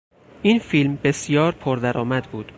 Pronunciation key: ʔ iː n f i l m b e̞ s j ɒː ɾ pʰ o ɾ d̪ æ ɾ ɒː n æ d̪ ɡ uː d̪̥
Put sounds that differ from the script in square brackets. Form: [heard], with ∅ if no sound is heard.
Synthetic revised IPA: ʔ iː n f i l m b e̞ s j ɒː ɾ pʰ o ɾ d̪ æ ɾ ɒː [m] æ d̪ [b] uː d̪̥